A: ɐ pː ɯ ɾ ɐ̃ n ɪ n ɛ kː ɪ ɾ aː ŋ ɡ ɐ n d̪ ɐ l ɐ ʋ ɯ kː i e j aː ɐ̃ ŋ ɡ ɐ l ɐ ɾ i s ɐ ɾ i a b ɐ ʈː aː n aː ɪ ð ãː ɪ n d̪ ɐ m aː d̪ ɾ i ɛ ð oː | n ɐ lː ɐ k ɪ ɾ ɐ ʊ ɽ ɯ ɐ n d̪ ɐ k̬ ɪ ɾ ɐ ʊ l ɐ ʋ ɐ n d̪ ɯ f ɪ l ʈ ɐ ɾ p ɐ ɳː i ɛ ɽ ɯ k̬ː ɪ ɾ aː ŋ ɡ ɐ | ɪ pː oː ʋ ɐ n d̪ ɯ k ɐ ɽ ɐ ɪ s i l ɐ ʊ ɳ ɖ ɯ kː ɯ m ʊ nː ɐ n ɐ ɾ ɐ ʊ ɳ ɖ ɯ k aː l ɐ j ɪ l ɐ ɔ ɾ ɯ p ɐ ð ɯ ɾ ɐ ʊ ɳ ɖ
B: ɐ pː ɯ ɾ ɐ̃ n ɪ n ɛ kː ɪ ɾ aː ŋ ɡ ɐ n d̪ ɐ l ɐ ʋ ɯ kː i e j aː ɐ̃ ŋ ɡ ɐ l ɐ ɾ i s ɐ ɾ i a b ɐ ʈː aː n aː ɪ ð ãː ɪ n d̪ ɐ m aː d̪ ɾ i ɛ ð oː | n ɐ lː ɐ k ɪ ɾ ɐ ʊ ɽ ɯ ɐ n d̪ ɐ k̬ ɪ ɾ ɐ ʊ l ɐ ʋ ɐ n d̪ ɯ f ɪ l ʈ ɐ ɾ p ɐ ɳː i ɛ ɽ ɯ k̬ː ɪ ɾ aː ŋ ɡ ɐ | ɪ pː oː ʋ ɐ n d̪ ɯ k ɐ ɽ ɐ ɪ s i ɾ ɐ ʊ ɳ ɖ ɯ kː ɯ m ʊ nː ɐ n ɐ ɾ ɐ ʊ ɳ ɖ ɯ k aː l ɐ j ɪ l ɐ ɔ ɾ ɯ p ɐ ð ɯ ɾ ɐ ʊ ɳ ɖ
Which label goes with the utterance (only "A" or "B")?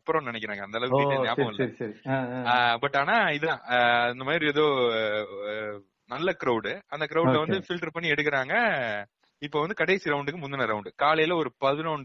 B